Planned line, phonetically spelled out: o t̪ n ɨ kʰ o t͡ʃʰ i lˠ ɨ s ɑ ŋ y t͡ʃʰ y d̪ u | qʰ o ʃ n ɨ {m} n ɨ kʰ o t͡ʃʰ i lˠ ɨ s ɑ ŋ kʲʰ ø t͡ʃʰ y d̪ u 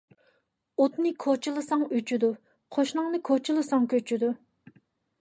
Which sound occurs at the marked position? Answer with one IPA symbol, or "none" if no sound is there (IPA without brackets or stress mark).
ŋ